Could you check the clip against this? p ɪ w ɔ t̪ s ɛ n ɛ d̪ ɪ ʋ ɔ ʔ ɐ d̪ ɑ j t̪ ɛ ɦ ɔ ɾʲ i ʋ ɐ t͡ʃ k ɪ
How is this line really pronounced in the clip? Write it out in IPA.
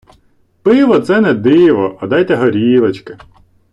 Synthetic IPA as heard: p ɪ ʋ ɔ t̪ s ɛ n ɛ d̪ ɪ ʋ ɔ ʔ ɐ d̪ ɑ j t̪ ɛ ɦ ɔ ɾʲ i ʋ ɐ t͡ʃ k ɪ